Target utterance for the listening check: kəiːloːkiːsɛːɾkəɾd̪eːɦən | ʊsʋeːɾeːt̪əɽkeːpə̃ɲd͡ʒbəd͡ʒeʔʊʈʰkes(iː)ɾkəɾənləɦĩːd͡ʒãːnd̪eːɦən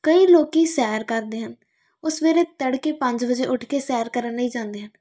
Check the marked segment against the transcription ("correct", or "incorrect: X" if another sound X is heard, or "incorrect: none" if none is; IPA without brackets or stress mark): incorrect: ɛː